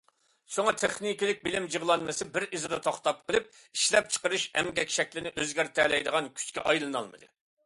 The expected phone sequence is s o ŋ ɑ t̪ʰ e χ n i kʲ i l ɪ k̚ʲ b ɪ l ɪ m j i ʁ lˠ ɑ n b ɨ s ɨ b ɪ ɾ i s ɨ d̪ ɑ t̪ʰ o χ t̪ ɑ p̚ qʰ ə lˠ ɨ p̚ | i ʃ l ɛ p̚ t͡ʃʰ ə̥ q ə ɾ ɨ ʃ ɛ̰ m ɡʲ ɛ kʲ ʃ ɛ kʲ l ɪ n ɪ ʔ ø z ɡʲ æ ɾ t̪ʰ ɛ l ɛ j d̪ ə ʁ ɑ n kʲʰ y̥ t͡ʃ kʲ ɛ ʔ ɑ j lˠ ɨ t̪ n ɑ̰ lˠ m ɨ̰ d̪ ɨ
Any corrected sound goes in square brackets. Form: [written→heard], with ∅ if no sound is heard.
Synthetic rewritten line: s o ŋ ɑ t̪ʰ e χ n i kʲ i l ɪ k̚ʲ b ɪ l ɪ m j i ʁ lˠ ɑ n [b→m] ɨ s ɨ b ɪ ɾ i [s→z] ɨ d̪ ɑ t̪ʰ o χ t̪ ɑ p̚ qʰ ə lˠ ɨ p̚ | i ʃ l ɛ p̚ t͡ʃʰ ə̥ q ə ɾ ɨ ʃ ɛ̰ m ɡʲ ɛ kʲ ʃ ɛ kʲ l ɪ n ɪ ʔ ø z ɡʲ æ ɾ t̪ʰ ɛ l ɛ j d̪ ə ʁ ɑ n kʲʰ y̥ t͡ʃ kʲ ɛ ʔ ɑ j lˠ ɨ [t̪→∅] n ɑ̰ lˠ m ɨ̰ d̪ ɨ